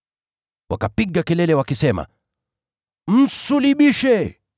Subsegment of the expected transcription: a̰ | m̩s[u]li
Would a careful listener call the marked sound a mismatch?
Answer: no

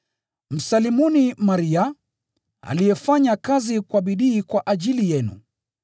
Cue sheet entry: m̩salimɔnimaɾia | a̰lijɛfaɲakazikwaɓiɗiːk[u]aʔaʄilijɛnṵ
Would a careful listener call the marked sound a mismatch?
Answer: yes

